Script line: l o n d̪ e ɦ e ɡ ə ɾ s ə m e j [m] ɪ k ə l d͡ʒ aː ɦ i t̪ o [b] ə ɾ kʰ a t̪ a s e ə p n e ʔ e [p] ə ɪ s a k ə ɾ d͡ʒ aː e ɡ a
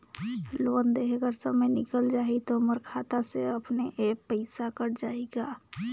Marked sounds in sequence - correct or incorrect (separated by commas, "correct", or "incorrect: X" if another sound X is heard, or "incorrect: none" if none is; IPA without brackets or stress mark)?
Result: incorrect: n, incorrect: m, correct